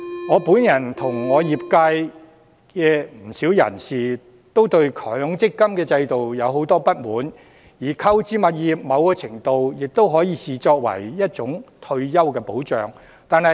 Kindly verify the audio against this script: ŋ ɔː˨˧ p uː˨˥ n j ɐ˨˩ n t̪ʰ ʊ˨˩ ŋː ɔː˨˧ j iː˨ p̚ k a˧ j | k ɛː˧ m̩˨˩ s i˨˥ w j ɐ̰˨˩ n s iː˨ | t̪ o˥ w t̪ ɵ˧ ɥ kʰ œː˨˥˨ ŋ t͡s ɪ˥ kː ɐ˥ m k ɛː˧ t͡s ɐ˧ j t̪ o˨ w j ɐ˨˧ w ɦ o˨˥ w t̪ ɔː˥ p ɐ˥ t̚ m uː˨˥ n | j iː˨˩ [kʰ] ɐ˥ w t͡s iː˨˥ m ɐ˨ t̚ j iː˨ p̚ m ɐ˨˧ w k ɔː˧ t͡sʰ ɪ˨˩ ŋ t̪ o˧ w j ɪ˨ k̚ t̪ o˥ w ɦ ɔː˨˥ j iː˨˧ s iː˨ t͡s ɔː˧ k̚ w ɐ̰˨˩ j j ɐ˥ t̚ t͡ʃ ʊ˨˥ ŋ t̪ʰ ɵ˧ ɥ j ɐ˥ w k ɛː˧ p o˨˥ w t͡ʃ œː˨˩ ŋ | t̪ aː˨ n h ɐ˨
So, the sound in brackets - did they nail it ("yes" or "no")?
yes